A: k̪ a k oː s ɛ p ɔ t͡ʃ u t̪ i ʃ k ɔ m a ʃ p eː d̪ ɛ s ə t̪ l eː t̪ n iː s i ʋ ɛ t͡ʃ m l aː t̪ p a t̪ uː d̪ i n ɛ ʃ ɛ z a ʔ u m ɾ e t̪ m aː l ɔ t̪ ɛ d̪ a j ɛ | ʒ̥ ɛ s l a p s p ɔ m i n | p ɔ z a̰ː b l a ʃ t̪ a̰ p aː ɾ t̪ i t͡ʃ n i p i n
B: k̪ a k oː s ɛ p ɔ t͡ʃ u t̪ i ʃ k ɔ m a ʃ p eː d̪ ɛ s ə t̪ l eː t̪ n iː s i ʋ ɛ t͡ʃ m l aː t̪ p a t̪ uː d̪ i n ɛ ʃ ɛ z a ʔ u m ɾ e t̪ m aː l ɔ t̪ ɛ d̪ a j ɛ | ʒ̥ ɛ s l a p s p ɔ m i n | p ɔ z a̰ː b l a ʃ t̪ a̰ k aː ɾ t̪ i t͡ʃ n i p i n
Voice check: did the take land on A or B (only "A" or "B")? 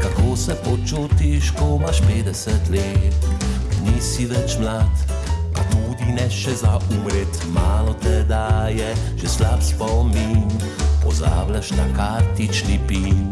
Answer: B